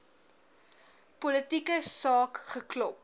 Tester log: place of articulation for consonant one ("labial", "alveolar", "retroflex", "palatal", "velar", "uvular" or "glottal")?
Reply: labial